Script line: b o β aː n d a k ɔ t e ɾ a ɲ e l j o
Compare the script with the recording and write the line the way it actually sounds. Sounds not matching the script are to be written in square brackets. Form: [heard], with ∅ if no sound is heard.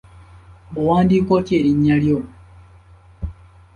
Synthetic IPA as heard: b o [w] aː n d [i] k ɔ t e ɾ [i] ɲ [a] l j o